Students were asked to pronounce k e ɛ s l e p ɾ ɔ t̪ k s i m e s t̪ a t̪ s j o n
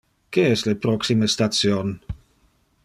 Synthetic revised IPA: k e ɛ s l e p ɾ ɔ k s i m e s t̪ a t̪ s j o n